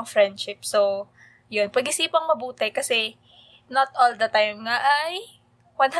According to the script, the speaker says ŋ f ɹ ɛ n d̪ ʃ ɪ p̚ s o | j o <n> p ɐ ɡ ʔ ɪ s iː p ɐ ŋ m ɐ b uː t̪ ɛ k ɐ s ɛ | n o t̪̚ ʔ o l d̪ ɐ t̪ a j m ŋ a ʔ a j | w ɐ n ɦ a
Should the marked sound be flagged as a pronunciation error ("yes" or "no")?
no